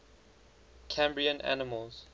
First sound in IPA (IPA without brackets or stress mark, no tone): kʰ